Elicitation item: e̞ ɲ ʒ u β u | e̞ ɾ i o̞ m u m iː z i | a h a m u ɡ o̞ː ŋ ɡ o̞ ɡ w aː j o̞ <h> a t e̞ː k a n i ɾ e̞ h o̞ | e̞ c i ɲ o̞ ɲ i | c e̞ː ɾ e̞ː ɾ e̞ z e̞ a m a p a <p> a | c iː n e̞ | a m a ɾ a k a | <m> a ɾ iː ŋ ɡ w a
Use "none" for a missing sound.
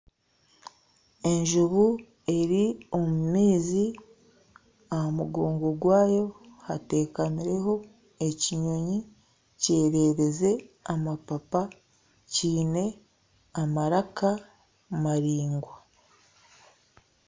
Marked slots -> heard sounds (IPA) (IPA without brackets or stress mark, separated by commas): h, p, m